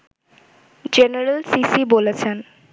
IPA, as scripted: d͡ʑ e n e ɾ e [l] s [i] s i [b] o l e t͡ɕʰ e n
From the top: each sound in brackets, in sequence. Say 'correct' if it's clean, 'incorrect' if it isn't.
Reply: correct, correct, correct

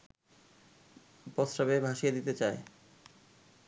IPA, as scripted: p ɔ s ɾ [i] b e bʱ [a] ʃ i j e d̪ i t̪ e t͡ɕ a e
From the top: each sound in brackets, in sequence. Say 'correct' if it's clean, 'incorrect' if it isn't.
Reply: incorrect, correct

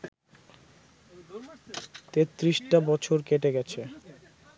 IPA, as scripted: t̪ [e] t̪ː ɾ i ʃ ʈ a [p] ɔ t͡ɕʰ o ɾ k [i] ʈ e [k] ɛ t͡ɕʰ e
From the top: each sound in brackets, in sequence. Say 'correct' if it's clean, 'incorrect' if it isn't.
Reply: correct, incorrect, incorrect, incorrect

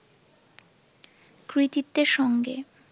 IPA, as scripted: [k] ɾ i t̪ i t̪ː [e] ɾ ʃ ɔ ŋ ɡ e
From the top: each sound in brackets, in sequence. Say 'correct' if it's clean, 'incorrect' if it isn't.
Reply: correct, correct

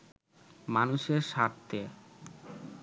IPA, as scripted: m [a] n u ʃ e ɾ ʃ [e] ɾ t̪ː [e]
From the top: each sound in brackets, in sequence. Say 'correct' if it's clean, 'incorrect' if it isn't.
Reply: correct, incorrect, correct

